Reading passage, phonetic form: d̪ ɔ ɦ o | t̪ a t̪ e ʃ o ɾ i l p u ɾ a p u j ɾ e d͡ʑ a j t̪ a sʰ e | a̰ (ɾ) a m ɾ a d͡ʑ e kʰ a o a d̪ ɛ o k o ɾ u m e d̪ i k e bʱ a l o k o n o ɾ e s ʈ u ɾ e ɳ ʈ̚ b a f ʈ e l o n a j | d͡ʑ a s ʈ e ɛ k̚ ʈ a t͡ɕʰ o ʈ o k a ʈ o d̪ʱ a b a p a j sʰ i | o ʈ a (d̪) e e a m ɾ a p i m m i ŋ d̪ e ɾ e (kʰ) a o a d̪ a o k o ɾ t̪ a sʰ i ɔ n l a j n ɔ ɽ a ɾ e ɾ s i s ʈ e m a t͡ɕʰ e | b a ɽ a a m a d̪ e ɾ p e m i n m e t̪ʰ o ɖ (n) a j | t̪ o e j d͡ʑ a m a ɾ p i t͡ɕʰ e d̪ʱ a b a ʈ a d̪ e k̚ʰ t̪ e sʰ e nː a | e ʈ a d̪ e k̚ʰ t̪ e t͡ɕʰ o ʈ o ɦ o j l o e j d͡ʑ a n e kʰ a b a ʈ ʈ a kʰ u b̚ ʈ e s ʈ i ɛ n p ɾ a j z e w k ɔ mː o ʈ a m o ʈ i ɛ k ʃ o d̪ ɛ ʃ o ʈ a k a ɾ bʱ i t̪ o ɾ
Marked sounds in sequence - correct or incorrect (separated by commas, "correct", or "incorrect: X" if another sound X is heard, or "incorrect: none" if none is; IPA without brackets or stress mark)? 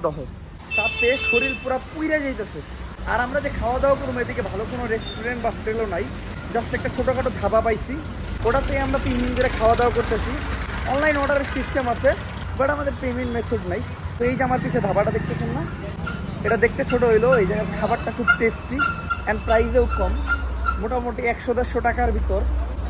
correct, incorrect: t̪, correct, correct